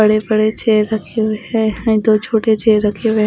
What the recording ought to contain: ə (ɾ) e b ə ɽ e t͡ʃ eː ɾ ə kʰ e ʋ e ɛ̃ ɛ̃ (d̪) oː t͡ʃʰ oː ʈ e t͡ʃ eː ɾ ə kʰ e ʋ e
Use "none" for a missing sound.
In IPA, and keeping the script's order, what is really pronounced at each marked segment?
ɽ, d̪

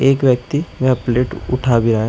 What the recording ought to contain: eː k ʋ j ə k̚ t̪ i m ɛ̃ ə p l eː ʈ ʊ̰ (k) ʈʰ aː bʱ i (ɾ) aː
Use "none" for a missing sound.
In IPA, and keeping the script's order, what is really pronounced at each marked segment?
none, ɾ

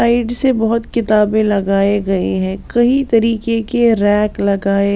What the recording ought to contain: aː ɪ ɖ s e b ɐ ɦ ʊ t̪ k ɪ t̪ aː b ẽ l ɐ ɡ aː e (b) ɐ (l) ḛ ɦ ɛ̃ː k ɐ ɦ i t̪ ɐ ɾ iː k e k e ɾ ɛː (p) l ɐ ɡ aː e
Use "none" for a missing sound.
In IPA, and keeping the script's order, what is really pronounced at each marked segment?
ɡ, none, k

